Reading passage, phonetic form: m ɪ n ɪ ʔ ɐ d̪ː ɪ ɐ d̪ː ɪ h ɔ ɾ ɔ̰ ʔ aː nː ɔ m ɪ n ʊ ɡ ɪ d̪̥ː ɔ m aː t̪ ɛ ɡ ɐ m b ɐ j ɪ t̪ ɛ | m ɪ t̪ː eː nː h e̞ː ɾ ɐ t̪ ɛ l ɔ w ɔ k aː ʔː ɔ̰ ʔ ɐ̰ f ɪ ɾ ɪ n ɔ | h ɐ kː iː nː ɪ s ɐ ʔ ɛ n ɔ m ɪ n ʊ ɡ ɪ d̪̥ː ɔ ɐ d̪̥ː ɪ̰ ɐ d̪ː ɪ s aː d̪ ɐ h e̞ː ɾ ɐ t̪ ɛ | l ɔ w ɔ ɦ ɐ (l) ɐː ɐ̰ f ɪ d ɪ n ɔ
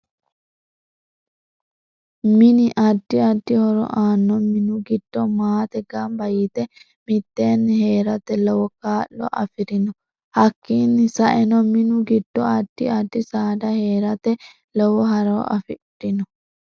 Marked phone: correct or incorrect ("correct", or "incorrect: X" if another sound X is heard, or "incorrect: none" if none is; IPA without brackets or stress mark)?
incorrect: ɾ